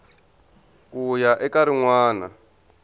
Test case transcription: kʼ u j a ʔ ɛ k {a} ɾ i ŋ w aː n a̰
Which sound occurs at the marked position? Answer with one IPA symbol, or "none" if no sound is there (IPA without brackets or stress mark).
a